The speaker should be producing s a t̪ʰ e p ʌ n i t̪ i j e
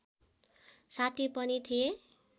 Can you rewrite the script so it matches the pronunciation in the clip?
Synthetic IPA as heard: s a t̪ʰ i p ʌ n i t̪ʰ i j e